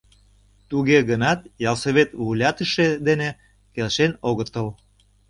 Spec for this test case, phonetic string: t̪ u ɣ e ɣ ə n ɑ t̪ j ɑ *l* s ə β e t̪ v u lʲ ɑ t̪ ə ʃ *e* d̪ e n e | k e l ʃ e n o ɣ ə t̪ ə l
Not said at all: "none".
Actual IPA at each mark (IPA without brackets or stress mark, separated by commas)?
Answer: l, e